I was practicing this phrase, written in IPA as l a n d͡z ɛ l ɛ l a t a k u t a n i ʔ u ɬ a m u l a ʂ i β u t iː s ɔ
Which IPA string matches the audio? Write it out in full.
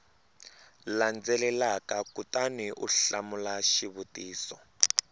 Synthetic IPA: l a n d͡z ɛ l ɛ l a k a k u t a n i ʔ u ɬ a m u l a ʃ i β u t iː s ɔ